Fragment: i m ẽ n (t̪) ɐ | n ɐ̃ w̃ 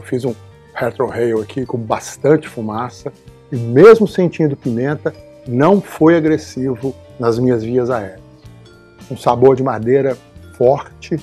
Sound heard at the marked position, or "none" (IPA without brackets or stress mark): t̪